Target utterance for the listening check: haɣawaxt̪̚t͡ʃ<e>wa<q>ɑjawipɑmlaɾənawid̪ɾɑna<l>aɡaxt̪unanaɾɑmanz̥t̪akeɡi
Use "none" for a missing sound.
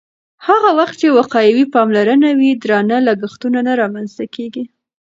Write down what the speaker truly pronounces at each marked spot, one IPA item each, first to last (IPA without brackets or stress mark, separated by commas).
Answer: e, q, l